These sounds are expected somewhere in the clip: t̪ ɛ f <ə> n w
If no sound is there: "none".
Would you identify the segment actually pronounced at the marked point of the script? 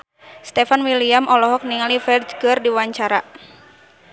a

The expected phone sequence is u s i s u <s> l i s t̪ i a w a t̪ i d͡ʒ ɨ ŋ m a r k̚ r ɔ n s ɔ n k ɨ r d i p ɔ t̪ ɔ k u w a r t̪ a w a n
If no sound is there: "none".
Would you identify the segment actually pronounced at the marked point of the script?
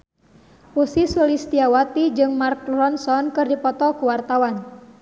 none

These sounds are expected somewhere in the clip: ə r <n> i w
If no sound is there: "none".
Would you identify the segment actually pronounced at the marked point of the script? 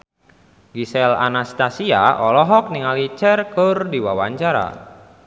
d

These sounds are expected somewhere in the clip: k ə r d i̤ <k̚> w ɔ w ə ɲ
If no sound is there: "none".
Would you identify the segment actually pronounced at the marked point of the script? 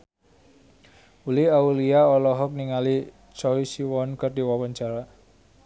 none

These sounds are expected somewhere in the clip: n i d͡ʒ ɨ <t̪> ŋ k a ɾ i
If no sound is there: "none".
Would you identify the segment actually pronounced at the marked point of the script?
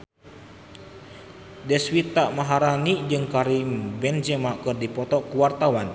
none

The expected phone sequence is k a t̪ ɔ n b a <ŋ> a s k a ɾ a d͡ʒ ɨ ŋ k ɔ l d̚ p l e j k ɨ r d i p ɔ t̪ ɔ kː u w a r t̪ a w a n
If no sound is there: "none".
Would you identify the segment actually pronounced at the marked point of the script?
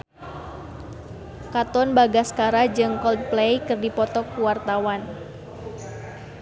ɡ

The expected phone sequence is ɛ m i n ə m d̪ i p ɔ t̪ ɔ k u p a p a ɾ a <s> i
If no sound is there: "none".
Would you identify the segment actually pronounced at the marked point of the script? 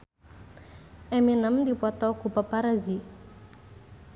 z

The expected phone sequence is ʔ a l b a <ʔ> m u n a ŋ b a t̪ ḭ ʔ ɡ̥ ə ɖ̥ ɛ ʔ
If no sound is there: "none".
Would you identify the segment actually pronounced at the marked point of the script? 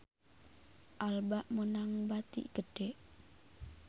ʔ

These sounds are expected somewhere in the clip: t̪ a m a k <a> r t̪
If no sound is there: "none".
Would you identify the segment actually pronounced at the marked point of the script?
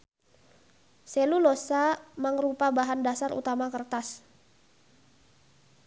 ə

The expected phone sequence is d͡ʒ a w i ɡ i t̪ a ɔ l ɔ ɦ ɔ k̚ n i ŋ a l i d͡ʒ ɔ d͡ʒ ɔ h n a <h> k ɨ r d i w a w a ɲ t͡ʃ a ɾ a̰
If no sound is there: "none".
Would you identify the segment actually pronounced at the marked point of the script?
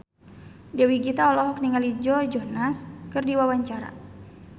s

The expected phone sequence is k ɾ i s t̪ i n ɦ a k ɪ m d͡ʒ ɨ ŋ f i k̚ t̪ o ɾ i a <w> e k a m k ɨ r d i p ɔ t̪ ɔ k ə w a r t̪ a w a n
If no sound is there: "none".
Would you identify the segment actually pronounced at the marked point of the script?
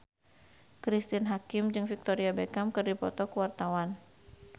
b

